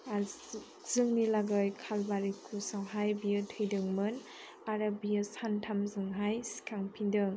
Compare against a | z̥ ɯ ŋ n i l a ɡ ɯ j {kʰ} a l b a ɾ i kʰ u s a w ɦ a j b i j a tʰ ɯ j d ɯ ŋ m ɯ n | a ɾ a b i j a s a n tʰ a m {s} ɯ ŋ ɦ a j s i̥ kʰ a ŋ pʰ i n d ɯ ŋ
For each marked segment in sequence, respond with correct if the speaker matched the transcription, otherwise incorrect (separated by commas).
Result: correct, incorrect